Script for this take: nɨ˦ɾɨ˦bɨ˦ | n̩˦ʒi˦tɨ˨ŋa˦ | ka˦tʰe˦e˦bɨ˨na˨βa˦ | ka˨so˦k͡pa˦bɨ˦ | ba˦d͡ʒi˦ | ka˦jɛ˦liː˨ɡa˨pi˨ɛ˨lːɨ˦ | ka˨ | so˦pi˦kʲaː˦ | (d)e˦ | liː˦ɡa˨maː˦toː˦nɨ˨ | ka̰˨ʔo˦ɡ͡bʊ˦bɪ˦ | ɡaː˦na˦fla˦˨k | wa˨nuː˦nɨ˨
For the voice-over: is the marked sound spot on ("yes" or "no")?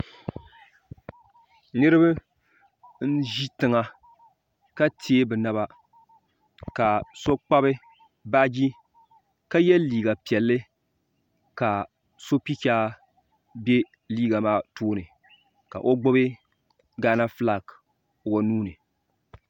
no